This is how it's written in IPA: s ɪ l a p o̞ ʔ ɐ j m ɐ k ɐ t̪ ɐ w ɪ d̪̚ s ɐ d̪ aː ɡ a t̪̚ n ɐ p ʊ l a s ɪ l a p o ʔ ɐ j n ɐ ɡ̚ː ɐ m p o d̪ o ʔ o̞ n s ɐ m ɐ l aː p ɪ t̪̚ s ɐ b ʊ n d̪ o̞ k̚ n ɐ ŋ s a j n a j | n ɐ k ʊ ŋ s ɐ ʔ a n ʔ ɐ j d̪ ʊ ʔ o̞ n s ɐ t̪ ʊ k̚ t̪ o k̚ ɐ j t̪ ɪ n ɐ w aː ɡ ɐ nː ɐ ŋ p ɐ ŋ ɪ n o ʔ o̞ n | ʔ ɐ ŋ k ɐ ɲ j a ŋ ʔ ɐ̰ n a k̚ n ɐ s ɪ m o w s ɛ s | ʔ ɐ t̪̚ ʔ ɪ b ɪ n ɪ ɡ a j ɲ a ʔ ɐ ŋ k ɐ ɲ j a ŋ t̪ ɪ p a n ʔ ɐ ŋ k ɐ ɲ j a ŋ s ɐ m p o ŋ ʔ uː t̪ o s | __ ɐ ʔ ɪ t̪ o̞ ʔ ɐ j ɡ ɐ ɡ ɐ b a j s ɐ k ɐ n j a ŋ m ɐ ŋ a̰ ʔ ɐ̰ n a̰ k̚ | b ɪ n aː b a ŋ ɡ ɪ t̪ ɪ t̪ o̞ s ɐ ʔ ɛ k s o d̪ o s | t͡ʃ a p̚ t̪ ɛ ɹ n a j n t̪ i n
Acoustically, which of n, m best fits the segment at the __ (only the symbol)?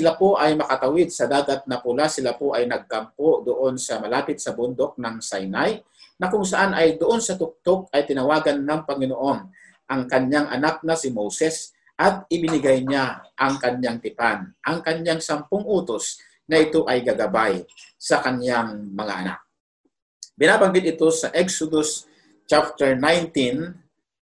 n